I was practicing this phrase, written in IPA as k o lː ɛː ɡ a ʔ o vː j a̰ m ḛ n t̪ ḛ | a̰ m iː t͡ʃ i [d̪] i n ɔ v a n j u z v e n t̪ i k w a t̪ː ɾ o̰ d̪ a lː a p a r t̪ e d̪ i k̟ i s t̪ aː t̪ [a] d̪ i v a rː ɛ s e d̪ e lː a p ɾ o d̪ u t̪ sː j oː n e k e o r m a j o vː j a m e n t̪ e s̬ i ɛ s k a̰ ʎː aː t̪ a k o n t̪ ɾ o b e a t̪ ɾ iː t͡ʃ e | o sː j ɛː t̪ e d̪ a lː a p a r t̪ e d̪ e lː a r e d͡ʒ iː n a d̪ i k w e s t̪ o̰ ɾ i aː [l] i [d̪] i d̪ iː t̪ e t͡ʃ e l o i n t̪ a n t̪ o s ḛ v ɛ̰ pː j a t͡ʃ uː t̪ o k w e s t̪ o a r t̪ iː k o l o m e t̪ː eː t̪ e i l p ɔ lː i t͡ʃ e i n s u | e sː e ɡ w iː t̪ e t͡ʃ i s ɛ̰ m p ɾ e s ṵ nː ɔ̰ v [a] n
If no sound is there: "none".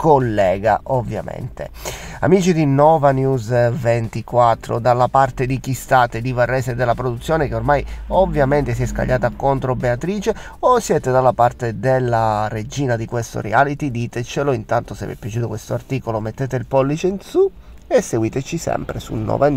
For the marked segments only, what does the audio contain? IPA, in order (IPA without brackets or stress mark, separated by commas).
d̪, e, l, t̪, a